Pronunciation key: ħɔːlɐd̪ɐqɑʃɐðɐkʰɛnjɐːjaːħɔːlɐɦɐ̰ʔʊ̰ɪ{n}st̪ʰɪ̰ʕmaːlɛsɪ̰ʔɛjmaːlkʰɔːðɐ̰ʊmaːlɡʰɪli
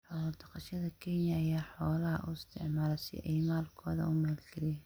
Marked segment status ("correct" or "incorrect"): incorrect